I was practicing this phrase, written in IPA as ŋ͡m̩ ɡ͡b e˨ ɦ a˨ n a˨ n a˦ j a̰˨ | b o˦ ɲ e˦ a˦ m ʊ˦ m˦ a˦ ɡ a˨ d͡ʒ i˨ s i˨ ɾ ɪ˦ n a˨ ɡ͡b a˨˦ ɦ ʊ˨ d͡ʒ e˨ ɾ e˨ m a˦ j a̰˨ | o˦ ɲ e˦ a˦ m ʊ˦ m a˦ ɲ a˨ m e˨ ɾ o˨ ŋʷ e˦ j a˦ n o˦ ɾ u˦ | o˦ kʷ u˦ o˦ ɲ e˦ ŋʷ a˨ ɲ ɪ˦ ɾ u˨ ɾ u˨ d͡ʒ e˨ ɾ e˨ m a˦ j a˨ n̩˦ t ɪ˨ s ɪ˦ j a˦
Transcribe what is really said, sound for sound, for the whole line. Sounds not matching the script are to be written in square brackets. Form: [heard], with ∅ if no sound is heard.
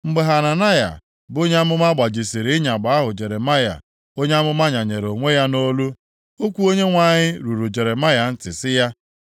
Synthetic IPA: ŋ͡m̩ ɡ͡b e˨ ɦ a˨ n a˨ n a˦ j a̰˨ | b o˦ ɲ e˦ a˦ m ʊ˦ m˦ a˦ [ɡ͡b] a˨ d͡ʒ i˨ s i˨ ɾ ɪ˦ [ɲ] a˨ ɡ͡b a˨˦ ɦ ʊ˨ d͡ʒ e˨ ɾ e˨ m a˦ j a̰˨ | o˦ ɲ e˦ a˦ m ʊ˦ m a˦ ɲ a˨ [ɲ] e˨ ɾ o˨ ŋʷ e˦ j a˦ n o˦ [l] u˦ | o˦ kʷ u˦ o˦ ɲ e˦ ŋʷ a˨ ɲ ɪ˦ ɾ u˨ ɾ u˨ d͡ʒ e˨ ɾ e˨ m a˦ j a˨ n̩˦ t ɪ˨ s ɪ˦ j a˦